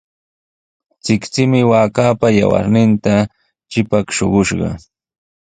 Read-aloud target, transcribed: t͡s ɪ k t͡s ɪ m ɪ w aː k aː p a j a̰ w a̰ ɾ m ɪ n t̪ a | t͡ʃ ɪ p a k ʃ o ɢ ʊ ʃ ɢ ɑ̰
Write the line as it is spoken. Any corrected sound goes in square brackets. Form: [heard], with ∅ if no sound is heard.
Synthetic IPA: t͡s ɪ k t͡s ɪ m ɪ w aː k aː p a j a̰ w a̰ ɾ [n] ɪ n t̪ a | t͡ʃ ɪ p a k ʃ o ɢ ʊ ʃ ɢ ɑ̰